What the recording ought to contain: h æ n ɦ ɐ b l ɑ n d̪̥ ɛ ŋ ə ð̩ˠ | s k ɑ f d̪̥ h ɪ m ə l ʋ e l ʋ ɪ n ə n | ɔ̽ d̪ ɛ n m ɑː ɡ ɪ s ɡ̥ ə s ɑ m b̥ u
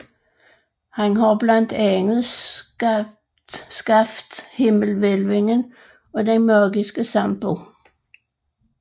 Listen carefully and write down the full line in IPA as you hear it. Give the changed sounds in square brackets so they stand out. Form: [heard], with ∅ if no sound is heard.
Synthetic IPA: h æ n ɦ [ɑ] b l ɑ n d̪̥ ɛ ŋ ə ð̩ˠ | s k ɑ f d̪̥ h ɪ m ə l ʋ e l ʋ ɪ [ŋ] ə n | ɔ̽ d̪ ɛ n m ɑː ɡ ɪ s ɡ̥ ə s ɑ m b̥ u